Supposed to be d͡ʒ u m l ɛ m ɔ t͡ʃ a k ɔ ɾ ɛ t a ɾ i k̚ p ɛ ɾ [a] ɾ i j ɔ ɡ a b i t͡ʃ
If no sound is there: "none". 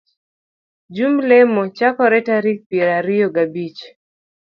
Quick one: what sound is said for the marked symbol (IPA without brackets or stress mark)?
a